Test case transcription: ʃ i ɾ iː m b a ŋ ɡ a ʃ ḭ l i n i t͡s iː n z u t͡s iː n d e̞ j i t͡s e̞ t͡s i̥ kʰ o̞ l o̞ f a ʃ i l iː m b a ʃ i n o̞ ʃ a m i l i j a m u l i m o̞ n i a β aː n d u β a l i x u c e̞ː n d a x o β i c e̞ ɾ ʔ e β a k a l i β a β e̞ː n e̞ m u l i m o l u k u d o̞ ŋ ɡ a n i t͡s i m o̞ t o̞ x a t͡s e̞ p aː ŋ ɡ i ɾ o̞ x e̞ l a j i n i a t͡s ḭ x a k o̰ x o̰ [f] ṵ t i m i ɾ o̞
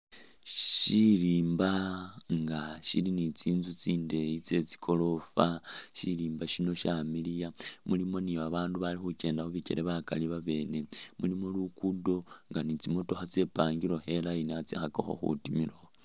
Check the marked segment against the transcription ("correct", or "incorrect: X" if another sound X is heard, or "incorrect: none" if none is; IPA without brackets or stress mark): incorrect: x